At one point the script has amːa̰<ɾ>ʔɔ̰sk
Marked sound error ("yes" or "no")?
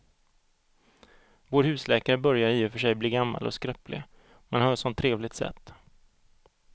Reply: yes